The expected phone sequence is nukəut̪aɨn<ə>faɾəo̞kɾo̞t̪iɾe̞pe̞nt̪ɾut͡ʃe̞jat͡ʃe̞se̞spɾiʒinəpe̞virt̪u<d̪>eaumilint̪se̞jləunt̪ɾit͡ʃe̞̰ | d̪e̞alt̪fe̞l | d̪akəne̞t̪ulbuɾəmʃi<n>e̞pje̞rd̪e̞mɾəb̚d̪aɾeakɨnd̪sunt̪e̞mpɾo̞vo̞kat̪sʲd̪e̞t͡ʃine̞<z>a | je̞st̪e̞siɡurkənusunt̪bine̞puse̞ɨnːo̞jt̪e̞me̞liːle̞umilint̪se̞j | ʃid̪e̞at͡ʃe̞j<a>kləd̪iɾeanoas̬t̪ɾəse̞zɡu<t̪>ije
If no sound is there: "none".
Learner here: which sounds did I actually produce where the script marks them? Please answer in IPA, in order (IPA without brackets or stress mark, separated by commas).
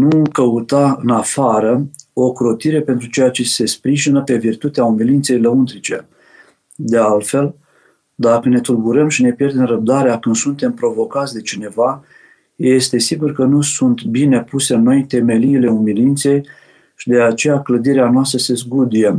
a, t̪, n, v, a, d̪